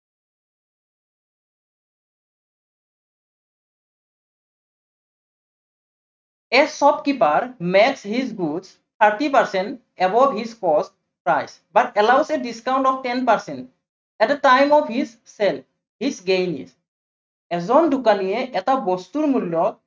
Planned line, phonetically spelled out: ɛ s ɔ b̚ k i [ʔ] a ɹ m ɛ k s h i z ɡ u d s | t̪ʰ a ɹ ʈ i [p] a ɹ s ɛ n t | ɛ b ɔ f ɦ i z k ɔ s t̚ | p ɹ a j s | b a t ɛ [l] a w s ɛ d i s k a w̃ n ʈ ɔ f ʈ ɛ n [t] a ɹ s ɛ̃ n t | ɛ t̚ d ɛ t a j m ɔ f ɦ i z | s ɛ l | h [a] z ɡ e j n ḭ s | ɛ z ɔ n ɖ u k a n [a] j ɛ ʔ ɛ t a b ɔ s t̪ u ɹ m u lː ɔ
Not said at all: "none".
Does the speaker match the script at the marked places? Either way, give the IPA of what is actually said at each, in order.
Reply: p, p, l, p, i, i

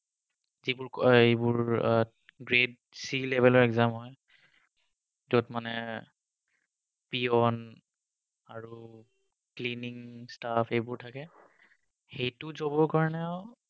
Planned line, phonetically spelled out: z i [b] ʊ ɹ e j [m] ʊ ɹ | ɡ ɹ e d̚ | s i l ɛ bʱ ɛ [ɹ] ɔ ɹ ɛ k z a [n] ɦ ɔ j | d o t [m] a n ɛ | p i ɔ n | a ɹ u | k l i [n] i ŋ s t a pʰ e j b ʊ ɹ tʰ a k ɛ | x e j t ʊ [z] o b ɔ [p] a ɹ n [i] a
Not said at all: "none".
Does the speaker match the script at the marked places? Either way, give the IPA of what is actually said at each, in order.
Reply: b, b, l, m, m, n, z, k, ɛ

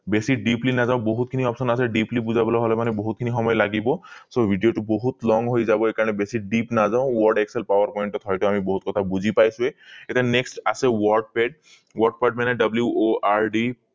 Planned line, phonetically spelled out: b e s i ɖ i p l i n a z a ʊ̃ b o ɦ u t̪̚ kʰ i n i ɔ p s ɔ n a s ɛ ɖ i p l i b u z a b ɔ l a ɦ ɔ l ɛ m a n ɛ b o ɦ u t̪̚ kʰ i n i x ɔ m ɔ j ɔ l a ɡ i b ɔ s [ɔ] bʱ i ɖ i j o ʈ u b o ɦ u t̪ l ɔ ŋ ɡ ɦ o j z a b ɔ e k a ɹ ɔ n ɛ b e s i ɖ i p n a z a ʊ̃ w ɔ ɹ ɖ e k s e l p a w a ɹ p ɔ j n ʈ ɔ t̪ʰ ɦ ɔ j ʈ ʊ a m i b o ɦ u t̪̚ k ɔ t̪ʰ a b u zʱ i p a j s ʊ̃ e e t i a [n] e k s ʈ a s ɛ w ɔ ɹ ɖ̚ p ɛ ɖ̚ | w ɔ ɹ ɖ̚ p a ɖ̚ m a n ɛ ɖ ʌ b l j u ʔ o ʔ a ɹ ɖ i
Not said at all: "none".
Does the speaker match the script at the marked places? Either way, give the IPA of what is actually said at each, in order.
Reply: o, n

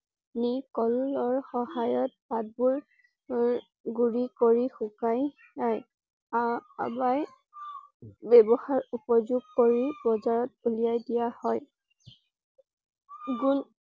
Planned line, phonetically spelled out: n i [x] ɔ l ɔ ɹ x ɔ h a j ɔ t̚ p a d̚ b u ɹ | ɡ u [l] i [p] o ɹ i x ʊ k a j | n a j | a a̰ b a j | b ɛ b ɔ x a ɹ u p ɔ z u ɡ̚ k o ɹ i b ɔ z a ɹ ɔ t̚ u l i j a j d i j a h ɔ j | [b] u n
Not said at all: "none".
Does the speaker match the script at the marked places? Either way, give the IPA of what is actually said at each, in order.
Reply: k, ɹ, k, ɡ

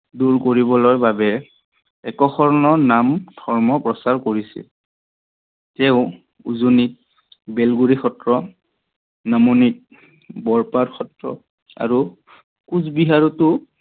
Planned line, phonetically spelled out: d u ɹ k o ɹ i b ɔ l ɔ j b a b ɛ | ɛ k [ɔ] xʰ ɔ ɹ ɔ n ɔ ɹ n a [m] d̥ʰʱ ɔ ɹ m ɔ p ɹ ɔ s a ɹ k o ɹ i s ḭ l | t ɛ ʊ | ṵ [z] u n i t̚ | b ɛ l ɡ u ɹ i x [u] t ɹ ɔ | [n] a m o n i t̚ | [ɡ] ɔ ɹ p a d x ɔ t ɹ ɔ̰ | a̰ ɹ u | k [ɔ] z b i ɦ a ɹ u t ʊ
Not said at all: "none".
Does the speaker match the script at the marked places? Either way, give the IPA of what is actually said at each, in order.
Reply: ɔ, m, z, ɔ, n, b, u

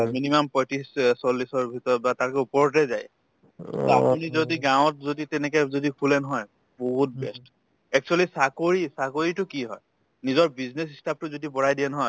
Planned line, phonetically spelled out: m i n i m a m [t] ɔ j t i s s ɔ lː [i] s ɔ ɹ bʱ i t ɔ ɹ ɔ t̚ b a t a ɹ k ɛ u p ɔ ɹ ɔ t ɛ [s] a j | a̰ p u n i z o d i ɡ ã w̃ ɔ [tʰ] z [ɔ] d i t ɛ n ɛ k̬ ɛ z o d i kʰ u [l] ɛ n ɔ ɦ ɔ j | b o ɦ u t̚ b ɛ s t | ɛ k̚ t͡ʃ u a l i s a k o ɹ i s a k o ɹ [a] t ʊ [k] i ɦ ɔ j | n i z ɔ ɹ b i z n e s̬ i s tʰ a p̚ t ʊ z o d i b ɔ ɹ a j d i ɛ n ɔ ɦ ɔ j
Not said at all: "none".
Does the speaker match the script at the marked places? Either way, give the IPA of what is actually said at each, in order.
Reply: p, i, z, t, o, l, i, k

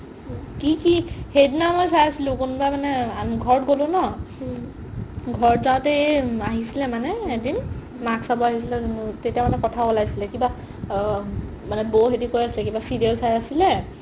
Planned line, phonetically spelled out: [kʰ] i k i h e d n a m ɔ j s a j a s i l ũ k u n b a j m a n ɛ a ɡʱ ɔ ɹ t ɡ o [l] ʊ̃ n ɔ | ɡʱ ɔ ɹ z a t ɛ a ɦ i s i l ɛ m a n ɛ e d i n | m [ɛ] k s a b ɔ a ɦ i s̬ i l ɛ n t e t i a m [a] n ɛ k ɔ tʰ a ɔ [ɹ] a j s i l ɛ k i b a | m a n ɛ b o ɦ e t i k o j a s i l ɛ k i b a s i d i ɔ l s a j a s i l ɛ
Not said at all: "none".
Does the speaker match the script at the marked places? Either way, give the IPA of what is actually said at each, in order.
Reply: k, l, a, a, l

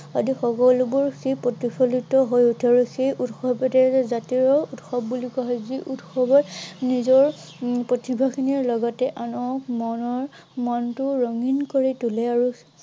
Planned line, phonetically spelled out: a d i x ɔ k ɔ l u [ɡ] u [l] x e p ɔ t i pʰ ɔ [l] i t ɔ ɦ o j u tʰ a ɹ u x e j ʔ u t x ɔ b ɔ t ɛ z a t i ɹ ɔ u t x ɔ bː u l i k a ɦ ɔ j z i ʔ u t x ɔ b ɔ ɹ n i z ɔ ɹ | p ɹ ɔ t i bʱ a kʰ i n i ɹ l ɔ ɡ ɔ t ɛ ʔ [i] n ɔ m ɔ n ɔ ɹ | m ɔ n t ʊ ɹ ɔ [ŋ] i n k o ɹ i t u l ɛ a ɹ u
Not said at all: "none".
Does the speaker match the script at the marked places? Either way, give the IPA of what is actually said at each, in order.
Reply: b, ɹ, l, a, ŋ

